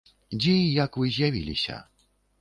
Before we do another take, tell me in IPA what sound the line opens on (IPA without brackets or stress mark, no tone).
d͡ʑ